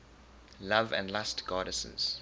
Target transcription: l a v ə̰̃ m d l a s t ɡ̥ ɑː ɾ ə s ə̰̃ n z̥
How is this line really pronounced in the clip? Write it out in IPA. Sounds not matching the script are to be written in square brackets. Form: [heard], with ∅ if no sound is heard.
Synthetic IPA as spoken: l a v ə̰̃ [n] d l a s t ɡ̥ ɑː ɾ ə s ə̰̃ n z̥